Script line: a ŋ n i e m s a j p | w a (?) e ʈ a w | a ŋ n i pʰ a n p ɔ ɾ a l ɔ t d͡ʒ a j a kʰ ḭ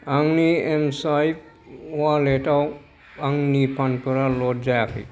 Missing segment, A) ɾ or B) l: B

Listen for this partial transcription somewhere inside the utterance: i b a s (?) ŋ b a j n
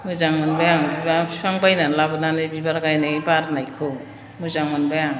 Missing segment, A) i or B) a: B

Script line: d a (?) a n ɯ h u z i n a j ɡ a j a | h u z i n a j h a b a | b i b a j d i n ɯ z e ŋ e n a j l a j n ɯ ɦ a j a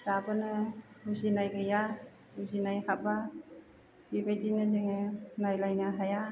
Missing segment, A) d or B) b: B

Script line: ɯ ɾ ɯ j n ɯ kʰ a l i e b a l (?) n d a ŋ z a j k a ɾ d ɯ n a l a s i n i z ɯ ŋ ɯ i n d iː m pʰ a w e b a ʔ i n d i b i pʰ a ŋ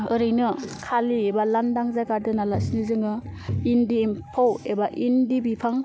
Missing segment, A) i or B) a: B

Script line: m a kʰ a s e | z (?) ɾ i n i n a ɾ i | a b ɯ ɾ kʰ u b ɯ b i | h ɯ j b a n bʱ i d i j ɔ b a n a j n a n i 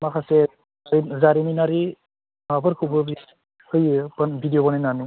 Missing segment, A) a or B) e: A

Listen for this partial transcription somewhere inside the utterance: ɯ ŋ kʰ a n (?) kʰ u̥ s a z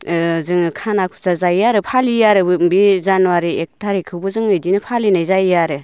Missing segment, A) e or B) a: B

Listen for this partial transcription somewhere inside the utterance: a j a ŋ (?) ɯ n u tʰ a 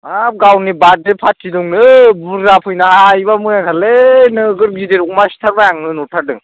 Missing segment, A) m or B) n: B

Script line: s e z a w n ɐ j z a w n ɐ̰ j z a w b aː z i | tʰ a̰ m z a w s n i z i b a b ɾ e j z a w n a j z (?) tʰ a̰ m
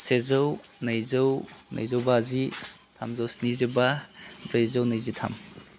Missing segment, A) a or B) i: B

